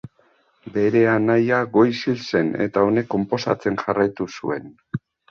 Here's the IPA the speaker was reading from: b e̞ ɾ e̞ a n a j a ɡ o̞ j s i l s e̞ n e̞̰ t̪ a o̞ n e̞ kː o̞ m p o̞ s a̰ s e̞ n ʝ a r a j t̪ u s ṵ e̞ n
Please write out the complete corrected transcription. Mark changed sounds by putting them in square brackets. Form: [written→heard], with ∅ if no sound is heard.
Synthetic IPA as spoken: b e̞ ɾ e̞ a n a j a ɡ o̞ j s i l s e̞ n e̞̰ t̪ a o̞ n e̞ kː o̞ m p o̞ s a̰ [s→t͡s] e̞ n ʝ a r a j t̪ u s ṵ e̞ n